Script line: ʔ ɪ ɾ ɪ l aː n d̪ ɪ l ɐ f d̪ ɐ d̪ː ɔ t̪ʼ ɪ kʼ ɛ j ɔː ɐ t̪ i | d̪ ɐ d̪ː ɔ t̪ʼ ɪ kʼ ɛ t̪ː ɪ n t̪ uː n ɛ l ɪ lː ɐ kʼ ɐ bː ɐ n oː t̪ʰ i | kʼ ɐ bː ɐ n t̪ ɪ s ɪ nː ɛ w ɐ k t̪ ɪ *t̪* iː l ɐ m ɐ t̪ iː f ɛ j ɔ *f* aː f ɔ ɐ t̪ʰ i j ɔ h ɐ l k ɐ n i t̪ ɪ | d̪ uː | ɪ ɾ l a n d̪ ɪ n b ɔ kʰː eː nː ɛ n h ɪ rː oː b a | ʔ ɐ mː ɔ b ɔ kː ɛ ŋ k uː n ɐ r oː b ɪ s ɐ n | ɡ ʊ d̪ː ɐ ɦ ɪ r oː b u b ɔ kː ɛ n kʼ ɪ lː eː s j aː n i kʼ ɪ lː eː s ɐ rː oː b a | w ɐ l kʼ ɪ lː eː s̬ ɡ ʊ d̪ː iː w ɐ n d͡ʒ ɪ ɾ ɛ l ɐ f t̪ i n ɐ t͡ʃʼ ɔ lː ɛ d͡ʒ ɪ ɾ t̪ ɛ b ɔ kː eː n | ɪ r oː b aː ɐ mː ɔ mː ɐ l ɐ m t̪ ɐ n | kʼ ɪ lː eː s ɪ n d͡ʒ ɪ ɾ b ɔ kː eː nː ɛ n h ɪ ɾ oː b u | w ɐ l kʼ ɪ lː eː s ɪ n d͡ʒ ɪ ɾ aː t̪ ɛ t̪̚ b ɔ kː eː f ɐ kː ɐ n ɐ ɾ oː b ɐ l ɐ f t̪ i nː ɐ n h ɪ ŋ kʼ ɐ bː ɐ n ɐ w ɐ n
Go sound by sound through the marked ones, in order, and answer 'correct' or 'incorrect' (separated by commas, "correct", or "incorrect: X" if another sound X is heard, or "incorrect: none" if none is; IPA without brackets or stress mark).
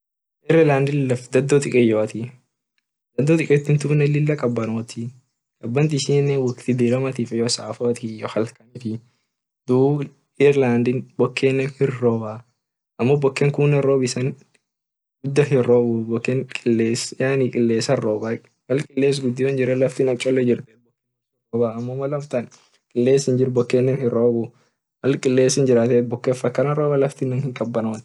incorrect: d̪, incorrect: s